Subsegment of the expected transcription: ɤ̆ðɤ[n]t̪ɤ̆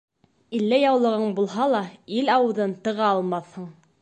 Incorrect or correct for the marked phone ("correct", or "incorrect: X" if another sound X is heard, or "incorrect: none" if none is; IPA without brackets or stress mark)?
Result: correct